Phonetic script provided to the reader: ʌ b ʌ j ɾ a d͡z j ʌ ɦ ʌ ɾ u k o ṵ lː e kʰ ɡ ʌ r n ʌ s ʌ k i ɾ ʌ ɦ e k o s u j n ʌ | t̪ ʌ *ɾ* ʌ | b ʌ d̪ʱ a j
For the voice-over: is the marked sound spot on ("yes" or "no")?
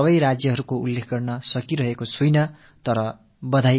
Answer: yes